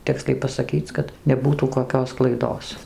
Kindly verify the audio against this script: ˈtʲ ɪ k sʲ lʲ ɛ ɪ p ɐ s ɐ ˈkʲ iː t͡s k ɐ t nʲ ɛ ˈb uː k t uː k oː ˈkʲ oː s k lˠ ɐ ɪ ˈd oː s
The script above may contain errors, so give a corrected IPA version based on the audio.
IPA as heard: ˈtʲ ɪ k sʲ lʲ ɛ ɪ p ɐ s ɐ ˈkʲ iː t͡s k ɐ t nʲ ɛ ˈb uː t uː k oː ˈkʲ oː s k lˠ ɐ ɪ ˈd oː s